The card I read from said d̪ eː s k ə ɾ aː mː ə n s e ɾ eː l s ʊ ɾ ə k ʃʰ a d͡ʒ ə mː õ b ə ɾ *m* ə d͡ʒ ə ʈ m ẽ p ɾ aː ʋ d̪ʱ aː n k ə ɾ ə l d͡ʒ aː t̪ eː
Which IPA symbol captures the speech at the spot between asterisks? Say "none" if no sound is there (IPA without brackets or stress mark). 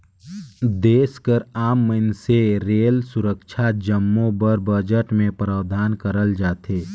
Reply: b